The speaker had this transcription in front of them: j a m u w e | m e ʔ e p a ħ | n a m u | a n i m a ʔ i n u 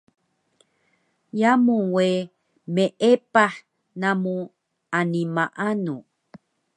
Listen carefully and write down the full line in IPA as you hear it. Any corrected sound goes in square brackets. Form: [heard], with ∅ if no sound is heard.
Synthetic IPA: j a m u w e | m e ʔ e p a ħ | n a m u | a n i m a ʔ [a] n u